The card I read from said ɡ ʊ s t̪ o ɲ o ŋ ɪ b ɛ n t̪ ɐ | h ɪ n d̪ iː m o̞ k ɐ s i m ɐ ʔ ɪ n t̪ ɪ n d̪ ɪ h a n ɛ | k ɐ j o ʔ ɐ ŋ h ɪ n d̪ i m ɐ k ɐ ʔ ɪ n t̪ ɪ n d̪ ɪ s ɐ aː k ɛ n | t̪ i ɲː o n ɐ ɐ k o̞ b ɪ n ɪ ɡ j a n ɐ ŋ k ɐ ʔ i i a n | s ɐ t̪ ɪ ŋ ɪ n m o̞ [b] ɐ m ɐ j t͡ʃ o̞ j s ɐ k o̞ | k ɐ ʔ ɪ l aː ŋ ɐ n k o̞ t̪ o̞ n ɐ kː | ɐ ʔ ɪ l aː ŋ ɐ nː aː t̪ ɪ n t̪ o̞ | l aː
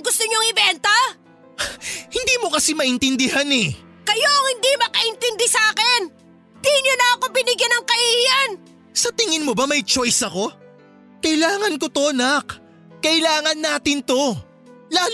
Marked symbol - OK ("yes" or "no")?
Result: yes